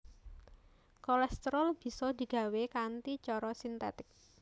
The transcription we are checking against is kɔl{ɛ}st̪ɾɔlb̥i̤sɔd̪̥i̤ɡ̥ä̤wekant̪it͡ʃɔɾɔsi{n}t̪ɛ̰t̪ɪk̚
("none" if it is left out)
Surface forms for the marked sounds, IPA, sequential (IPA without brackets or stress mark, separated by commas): ɛ, n